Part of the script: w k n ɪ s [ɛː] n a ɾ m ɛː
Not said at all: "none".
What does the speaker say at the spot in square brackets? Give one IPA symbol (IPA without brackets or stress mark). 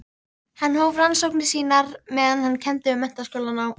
iː